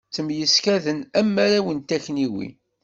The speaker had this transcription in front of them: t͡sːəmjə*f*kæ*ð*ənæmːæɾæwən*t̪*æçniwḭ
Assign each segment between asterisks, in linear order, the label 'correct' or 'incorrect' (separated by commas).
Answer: incorrect, correct, correct